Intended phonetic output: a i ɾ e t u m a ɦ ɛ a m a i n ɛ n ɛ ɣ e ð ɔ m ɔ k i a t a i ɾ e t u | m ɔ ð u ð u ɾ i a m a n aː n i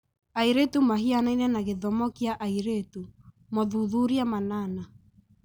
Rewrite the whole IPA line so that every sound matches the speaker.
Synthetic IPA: a i ɾ e t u m a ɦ i a n a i n ɛ n a ɣ e ð ɔ m ɔ k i a ʔ a i ɾ e t u | m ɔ ð u ð u ɾ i a m a n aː n a